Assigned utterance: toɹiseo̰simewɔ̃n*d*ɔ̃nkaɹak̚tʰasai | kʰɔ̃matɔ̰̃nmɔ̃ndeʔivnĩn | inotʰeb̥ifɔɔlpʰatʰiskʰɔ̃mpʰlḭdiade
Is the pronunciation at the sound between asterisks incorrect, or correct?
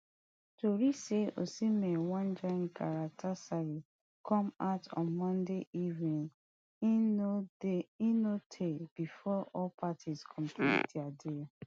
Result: incorrect